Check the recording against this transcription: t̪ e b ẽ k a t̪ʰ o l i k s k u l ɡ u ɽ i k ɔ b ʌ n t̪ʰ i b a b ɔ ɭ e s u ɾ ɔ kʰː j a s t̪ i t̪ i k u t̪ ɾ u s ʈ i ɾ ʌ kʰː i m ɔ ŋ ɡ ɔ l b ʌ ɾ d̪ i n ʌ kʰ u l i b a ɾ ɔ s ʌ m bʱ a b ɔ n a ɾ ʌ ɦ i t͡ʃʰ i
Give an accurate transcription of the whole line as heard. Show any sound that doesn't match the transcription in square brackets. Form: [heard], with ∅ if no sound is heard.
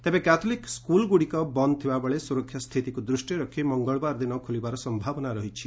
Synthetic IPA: t̪ e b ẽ k a t̪ʰ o l i k s k u l ɡ u ɽ i k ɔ b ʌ n t̪ʰ i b a b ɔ ɭ e s u ɾ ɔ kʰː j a s [t̪ʰ] i t̪ i k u [d̪] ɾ u s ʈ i ɾ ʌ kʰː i m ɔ ŋ ɡ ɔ [ɭ] b [a] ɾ d̪ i n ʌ kʰ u l i b a ɾ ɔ s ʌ m bʱ a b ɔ n a ɾ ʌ ɦ i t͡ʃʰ i